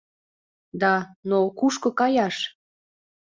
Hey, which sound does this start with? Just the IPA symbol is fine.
d̪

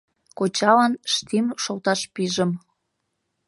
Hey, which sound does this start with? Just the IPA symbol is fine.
k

